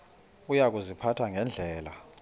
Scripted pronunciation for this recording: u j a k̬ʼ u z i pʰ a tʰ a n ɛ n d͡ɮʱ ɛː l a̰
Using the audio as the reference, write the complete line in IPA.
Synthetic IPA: u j a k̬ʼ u z i pʰ a tʰ a ŋ ɛ n d͡ɮʱ ɛː l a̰

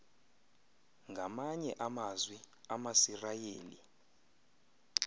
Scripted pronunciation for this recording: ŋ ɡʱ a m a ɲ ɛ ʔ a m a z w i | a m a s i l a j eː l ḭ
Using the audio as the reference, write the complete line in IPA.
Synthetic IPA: ŋ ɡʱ a m a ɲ ɛ ʔ a m a z w i | a m a s i r a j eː l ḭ

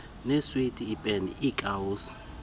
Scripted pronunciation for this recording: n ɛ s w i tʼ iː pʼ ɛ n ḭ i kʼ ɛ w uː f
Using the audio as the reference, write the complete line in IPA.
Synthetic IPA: n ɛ s w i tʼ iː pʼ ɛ n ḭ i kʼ a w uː s

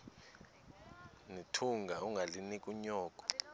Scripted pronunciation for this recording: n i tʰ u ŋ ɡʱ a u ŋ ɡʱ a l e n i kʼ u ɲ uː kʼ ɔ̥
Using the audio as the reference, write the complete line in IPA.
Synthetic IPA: n i tʰ u ŋ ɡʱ a u ŋ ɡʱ a l i n i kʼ u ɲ ɔː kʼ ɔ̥

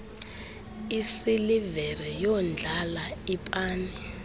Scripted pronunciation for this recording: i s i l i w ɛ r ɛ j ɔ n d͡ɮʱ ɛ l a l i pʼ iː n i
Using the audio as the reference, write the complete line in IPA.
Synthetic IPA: i s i l i v ɛ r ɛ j ɔ n d͡ɮʱ a l a i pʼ aː n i

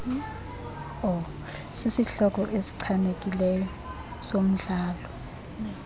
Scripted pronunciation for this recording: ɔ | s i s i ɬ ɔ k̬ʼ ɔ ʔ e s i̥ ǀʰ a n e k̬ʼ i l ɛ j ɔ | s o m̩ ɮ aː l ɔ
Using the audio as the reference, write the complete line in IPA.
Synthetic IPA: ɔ | s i s i ɬ ɔ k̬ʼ ɔ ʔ e s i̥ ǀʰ a n e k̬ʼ i l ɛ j ɔ | s o m̩ ɮ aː l ɔ

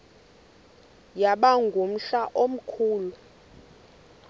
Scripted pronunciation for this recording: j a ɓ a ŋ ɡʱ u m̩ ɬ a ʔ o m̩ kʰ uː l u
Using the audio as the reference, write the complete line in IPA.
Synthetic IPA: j a ɓ a ŋ ɡʱ u m̩ ɬ a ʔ o m̩ kʰ uː l u

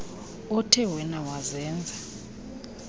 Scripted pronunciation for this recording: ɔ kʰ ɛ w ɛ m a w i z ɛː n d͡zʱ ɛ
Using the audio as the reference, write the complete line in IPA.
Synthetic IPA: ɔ tʰ ɛ w ɛ n a w a z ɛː n d͡zʱ a

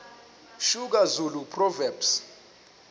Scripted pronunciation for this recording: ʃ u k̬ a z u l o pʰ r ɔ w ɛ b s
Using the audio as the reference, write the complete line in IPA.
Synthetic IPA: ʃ u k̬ a z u l u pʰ r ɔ v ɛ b s

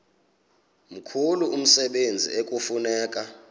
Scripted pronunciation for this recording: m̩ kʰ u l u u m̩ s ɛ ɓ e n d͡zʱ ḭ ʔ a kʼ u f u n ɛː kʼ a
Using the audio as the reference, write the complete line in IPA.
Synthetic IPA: m̩ kʰ u l u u m̩ s ɛ ɓ e n d͡zʱ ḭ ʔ e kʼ u f u n ɛː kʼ a

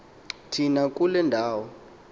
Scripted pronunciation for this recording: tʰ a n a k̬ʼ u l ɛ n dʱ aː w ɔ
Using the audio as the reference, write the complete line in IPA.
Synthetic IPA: tʰ i n a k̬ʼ u l ɛ n dʱ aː w ɔ

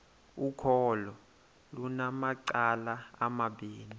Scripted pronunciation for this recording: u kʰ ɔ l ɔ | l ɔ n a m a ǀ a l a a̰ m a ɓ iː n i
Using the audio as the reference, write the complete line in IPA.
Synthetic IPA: u kʰ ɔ l ɔ | l u n a m a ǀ a l a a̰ m a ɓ iː n i

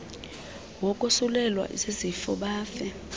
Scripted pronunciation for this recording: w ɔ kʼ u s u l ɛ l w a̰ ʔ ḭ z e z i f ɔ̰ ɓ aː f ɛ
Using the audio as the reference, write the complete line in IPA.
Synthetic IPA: w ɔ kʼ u s u l ɛ l w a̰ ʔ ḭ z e z i f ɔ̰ ɓ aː f ɛ

